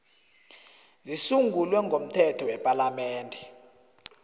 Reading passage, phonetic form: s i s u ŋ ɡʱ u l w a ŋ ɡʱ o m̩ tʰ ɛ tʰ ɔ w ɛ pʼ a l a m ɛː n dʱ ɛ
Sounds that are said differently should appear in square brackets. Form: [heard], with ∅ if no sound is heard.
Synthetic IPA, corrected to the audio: [z] i s u ŋ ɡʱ u l w [ɛ] ŋ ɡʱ o m̩ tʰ ɛ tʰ ɔ w ɛ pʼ a l a m ɛː n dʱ ɛ